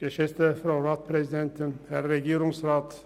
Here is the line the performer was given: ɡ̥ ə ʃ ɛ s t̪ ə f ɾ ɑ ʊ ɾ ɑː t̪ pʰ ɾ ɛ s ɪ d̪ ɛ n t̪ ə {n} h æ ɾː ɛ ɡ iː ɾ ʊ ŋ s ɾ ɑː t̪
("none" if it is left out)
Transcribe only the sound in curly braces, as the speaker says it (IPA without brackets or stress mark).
n